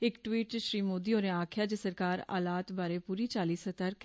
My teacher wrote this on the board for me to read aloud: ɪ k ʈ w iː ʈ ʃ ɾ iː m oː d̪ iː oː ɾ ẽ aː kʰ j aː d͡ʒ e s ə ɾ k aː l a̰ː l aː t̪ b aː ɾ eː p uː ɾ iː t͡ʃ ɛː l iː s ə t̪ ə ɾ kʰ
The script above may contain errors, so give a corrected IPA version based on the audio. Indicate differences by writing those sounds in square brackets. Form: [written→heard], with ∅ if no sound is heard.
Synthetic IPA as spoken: ɪ k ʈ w iː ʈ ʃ ɾ iː m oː d̪ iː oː ɾ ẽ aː kʰ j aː d͡ʒ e s ə ɾ k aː [l→ɾ] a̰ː l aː t̪ b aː ɾ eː p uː ɾ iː t͡ʃ [ɛː→aː] l iː s ə t̪ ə ɾ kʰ